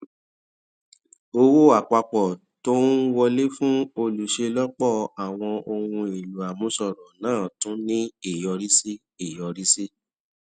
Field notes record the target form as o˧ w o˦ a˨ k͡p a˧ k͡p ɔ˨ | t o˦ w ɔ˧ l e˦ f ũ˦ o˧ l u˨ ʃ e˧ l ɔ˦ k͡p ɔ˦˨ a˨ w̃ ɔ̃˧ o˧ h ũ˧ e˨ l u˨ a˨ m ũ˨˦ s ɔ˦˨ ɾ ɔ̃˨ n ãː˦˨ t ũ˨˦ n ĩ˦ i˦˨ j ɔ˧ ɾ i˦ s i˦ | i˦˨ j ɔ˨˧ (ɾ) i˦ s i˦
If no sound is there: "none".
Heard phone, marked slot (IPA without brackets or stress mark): ɾ